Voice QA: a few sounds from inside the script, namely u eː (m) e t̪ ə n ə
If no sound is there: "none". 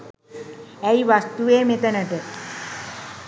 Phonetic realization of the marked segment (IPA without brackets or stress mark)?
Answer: m